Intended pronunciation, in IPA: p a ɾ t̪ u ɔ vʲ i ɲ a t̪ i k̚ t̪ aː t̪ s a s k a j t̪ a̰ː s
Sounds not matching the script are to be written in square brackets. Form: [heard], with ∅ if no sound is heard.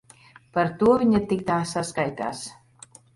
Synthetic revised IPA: p a ɾ t̪ u ɔ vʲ i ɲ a t̪ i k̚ t̪ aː [∅] s a s k a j t̪ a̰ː s